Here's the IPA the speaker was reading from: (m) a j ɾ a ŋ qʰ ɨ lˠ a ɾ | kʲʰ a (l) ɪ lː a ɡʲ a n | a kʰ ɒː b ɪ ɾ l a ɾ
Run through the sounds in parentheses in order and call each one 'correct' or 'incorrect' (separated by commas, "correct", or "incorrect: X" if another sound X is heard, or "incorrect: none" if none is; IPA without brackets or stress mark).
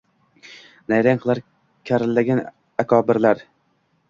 incorrect: n, incorrect: ɾ